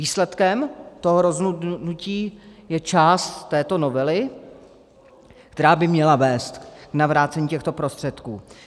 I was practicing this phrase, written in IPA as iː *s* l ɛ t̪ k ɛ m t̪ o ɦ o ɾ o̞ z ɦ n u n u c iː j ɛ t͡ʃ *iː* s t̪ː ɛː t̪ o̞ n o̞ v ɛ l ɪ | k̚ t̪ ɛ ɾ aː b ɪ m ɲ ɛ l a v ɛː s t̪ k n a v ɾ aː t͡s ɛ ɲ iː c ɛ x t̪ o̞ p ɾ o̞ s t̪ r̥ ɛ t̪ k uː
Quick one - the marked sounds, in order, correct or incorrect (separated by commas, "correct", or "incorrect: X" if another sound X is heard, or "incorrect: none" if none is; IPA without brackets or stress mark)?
correct, incorrect: aː